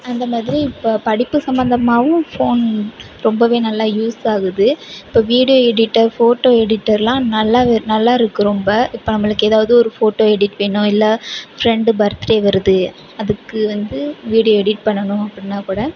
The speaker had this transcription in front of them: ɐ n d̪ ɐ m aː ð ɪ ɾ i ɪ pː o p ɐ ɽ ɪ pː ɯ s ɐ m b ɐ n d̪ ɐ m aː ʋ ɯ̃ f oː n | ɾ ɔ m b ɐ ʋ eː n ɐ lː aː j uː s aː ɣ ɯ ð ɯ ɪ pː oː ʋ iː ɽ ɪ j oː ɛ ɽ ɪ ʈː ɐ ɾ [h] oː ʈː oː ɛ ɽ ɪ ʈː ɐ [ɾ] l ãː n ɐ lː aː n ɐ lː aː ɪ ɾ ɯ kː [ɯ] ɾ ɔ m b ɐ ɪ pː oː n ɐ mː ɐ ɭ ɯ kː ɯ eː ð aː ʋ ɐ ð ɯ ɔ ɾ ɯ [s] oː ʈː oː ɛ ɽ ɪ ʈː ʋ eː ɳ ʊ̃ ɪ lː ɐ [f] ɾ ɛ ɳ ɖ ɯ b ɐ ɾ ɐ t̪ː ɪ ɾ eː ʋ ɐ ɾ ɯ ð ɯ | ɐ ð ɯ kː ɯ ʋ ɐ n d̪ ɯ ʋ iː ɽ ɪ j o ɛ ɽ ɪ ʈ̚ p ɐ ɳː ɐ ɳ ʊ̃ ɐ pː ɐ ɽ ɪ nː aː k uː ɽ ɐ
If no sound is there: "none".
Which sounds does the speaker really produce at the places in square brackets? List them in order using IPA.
f, ɾ, ɯ, f, f

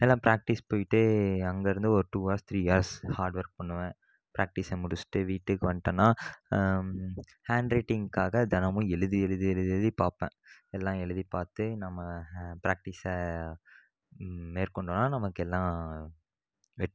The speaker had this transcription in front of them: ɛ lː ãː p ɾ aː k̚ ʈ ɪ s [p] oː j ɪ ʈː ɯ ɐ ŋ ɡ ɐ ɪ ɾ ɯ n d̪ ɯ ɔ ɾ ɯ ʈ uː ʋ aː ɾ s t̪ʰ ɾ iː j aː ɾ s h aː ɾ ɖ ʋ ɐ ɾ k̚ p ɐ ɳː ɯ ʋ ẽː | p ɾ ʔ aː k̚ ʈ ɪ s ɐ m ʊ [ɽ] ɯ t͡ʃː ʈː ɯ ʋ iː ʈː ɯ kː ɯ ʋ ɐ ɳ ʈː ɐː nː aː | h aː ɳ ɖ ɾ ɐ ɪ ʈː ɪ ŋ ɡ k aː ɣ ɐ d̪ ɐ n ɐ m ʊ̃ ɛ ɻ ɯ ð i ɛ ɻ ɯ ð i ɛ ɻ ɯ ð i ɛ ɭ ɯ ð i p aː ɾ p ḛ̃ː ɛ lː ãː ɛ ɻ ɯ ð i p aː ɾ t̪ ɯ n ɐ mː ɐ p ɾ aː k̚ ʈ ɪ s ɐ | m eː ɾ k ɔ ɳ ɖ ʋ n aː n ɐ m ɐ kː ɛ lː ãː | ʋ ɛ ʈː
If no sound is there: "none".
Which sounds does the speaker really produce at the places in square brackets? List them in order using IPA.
p, ɽ

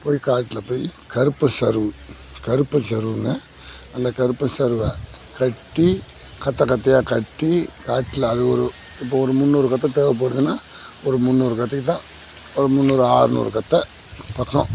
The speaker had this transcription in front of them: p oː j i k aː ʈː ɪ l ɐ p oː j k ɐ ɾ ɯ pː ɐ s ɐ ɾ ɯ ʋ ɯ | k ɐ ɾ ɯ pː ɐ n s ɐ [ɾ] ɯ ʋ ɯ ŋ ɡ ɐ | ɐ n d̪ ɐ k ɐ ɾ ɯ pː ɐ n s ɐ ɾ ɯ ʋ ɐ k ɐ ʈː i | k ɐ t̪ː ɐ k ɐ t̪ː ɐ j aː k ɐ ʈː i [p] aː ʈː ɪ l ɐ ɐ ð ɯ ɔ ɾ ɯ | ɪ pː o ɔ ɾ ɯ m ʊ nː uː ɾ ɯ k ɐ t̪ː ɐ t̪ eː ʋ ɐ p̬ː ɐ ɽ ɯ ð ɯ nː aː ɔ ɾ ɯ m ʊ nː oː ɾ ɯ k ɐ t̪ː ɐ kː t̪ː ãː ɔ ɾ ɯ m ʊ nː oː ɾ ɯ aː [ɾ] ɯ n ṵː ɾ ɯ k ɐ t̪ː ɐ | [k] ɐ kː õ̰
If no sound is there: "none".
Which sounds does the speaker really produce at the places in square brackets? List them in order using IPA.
ɾ, k, ɾ, p

